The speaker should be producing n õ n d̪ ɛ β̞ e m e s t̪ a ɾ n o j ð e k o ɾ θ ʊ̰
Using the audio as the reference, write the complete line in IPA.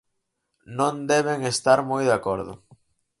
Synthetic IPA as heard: n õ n d̪ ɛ β̞ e ŋ e s t̪ a ɾ m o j ð a k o ɾ ð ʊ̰